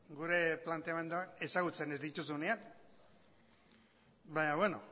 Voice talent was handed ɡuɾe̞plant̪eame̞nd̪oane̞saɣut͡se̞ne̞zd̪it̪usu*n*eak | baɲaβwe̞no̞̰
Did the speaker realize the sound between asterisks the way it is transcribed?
yes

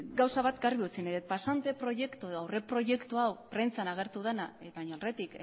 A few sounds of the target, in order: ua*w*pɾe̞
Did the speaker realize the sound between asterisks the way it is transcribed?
yes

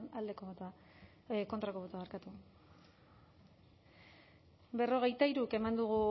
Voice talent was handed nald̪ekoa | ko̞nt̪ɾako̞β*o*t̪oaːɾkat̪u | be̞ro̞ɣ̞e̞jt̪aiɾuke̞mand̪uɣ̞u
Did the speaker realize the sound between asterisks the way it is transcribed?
yes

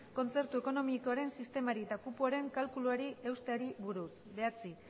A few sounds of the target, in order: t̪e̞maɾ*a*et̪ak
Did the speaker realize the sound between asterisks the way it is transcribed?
no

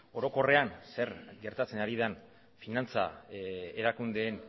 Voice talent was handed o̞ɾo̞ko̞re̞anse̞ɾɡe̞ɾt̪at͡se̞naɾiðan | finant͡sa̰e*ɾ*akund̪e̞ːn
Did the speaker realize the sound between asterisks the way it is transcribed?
yes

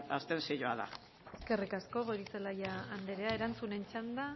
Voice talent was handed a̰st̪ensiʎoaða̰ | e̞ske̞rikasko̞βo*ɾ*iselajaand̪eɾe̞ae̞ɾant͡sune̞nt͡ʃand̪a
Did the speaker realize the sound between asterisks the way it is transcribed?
yes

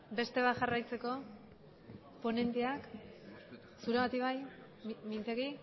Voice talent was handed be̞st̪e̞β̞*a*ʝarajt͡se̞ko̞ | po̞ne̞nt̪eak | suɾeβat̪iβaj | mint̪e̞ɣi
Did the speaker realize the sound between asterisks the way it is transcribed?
yes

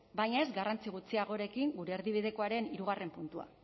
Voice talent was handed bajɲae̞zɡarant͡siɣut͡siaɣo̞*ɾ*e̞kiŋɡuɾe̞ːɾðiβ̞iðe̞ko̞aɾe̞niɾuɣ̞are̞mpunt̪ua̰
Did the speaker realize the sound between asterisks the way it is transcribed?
yes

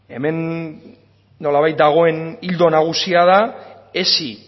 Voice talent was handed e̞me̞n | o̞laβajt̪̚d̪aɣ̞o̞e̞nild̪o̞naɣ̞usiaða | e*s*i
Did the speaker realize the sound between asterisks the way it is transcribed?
yes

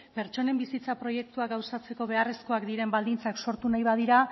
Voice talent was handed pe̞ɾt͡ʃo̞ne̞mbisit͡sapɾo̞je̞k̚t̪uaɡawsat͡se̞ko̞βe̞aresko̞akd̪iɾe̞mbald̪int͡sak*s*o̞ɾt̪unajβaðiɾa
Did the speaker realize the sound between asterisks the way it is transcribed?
yes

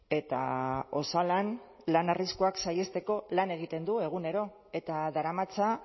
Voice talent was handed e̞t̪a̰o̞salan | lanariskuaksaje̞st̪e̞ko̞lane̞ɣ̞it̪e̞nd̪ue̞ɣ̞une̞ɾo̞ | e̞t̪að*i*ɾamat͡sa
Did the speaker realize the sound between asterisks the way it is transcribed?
no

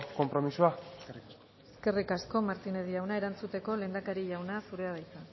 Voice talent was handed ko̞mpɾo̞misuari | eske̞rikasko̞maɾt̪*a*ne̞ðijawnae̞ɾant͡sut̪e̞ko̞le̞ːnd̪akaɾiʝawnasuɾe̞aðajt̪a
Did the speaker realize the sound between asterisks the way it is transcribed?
no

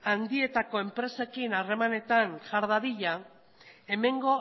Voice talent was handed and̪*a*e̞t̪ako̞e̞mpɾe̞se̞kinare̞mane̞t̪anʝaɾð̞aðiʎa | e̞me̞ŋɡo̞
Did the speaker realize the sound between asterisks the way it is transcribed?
no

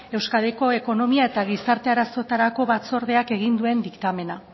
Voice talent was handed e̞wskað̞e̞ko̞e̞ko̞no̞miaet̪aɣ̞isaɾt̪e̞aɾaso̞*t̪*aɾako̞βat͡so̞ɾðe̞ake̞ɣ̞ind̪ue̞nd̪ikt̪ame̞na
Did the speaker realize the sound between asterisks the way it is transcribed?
yes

